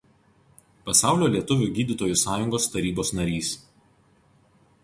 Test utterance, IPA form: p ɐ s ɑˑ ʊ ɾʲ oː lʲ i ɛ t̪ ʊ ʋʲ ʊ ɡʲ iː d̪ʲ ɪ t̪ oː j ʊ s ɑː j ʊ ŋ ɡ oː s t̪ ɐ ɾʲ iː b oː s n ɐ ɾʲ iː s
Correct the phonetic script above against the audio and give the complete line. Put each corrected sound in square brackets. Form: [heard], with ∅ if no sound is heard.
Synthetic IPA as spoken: p ɐ s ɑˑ ʊ [lʲ] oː lʲ i ɛ t̪ ʊ ʋʲ ʊ ɡʲ iː d̪ʲ ɪ t̪ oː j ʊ s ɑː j ʊ ŋ ɡ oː s t̪ ɐ ɾʲ iː b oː s n ɐ ɾʲ iː s

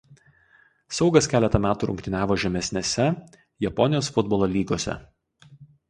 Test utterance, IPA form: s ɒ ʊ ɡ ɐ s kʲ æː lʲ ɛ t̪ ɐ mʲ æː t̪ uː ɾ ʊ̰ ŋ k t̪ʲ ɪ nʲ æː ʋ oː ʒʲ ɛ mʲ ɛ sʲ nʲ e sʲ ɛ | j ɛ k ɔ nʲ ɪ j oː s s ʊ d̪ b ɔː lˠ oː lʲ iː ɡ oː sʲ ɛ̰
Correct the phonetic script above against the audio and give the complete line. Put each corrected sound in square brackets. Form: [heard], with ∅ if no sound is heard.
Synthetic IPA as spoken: s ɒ ʊ ɡ ɐ s kʲ æː lʲ ɛ t̪ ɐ mʲ æː t̪ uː ɾ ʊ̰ ŋ k t̪ʲ ɪ nʲ æː ʋ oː ʒʲ ɛ mʲ ɛ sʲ nʲ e sʲ ɛ | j ɛ [p] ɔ nʲ ɪ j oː s [f] ʊ d̪ b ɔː lˠ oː lʲ iː ɡ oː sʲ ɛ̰

